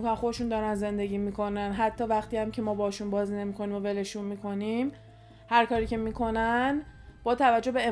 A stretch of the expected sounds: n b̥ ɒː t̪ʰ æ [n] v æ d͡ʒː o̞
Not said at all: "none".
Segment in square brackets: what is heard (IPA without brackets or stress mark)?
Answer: none